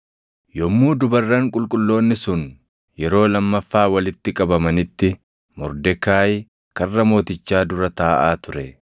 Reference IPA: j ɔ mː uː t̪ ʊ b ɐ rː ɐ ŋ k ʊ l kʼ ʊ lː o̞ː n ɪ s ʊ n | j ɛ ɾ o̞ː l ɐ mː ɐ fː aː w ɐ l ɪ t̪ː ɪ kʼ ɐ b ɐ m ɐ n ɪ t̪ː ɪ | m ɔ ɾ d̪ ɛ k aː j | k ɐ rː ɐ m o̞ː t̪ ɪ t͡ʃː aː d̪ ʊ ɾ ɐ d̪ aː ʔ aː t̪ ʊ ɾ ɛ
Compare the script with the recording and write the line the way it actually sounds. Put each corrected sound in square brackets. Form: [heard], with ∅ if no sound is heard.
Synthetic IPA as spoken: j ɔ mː uː [d̪] ʊ b ɐ rː ɐ ŋ [kʼ] ʊ l kʼ ʊ lː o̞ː [nː] ɪ s ʊ n | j ɛ ɾ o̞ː l ɐ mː ɐ fː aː w ɐ l ɪ t̪ː ɪ kʼ ɐ b ɐ m ɐ n ɪ t̪ː ɪ | m ɔ ɾ d̪ ɛ k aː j | k ɐ rː ɐ m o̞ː t̪ ɪ t͡ʃː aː d̪ ʊ ɾ ɐ [t̪] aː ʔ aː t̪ ʊ ɾ ɛ